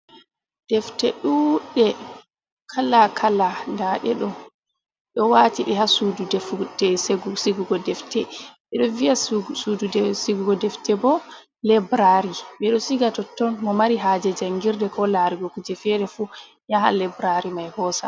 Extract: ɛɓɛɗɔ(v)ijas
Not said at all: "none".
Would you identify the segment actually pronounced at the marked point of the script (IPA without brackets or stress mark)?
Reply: v